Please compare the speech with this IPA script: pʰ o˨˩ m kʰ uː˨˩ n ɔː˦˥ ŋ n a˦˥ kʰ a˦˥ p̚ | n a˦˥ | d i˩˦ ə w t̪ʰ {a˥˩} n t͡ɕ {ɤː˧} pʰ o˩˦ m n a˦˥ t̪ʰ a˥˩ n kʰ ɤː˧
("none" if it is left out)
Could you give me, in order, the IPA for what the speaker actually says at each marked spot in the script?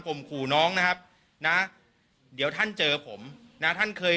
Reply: a˥˩, ɤː˧

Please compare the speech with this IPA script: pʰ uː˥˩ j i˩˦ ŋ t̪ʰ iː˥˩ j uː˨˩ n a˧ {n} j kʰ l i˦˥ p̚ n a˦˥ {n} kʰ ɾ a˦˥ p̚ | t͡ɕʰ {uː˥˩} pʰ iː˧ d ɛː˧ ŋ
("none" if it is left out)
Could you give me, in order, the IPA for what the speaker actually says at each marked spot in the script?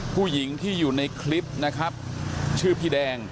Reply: none, none, ɯː˥˩

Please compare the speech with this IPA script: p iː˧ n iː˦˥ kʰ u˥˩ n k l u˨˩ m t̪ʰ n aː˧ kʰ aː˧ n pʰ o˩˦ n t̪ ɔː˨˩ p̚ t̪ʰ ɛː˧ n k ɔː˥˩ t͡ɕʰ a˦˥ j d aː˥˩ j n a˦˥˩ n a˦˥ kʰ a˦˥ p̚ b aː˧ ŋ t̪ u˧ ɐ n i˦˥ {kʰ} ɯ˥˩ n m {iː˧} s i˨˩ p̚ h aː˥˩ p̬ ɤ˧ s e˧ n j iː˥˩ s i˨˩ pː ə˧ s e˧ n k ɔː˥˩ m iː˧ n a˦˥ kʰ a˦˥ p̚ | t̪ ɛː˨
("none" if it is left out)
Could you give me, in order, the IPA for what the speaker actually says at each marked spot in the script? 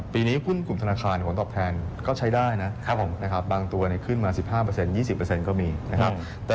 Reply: kʰ, aː˧

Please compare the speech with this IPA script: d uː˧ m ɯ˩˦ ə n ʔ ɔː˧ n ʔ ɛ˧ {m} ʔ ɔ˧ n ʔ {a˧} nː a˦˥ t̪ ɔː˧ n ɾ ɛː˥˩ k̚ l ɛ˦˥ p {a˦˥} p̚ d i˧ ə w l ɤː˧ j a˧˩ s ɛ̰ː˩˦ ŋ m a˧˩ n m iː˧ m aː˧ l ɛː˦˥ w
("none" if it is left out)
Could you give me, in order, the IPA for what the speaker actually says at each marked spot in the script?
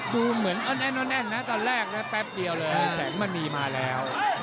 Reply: n, ɛ˧, ɛ˦˥

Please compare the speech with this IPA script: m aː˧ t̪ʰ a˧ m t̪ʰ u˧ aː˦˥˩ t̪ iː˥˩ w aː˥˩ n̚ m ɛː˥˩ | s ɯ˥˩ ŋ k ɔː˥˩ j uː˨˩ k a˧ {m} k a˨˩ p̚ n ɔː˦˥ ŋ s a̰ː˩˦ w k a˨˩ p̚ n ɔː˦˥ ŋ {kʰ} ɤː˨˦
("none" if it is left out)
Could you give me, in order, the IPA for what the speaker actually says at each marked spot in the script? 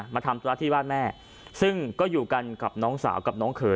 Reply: n, kʰ

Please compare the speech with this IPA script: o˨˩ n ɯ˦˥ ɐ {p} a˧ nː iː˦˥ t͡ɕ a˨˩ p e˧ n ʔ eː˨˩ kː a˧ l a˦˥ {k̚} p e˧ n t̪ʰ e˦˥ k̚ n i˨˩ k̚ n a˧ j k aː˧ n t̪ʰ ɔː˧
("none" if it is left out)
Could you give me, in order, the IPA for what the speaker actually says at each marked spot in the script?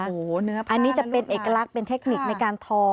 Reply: ʔ, k̚

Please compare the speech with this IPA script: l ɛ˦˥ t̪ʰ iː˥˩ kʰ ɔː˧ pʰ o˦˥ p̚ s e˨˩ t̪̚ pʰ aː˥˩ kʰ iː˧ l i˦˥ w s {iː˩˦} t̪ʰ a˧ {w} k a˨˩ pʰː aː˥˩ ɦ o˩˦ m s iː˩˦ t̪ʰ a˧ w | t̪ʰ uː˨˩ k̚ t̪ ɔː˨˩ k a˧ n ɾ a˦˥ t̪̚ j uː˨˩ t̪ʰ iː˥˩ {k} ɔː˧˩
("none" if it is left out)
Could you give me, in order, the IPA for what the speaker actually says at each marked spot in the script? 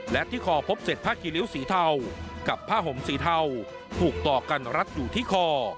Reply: iː˩˦, w, kʰ

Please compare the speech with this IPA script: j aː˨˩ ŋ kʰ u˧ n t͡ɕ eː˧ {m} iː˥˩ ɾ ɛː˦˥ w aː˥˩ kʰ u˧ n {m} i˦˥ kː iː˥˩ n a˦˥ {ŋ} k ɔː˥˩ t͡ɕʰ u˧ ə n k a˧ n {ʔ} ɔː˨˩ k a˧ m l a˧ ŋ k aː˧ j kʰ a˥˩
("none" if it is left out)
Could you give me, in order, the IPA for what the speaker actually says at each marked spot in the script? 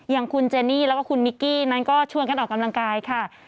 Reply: n, m, n, ʔ

